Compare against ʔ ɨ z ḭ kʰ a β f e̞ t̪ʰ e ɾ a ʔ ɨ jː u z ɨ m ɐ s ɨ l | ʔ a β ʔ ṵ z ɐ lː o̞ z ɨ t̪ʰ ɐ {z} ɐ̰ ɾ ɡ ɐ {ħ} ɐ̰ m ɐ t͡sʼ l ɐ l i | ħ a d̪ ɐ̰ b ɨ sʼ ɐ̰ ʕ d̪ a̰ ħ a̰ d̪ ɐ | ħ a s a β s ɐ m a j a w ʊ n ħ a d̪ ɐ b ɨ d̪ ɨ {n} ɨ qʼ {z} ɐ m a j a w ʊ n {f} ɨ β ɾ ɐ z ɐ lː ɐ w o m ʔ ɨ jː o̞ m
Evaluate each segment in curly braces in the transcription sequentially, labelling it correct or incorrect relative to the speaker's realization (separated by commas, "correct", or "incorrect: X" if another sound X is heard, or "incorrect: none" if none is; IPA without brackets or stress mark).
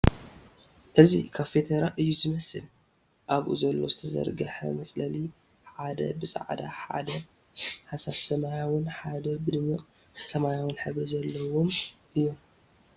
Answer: correct, correct, incorrect: m, incorrect: s, incorrect: ħ